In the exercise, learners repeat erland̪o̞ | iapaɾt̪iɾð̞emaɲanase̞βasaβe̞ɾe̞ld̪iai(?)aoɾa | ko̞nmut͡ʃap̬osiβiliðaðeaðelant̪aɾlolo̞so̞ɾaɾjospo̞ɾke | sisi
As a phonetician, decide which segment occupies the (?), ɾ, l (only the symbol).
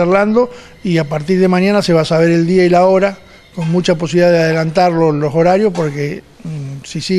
l